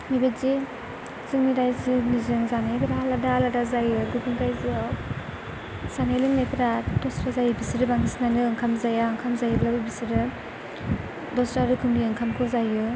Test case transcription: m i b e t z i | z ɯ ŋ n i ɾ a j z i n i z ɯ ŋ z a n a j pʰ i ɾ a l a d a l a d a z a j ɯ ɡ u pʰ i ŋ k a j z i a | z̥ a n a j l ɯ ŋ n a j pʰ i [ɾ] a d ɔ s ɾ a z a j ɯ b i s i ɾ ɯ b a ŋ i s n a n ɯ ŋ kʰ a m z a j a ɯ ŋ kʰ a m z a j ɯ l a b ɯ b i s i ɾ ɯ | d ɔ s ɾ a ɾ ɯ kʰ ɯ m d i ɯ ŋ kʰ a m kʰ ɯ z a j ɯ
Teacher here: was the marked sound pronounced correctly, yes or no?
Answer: yes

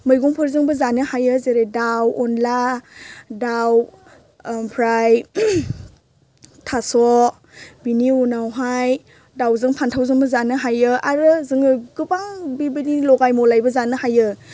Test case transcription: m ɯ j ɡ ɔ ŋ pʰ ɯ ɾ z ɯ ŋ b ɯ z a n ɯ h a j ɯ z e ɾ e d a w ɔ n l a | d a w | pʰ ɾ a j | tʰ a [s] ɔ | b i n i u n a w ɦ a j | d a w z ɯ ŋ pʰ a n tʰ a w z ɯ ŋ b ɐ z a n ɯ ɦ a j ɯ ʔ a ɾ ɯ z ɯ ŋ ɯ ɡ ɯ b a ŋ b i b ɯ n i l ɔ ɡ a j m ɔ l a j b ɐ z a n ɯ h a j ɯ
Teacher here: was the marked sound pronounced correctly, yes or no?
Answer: yes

